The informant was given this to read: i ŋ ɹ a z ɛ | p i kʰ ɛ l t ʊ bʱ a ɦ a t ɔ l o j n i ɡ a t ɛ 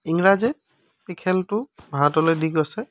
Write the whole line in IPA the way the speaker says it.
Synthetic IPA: i ŋ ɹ a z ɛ | p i kʰ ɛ l t ʊ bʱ a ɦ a t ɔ l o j d i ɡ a s ɛ